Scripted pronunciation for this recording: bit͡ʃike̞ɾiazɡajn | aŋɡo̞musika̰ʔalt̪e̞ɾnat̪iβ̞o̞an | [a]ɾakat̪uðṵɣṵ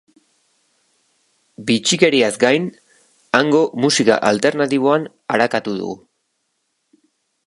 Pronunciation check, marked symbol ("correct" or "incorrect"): correct